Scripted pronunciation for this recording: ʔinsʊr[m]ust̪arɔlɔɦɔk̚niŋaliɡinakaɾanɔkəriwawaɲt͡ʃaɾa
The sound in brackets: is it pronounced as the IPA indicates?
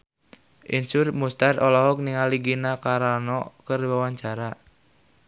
yes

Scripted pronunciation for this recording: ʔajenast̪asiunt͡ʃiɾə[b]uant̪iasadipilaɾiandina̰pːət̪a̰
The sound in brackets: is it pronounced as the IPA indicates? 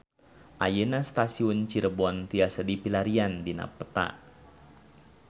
yes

